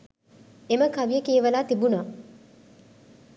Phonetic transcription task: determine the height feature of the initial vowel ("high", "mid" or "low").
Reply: mid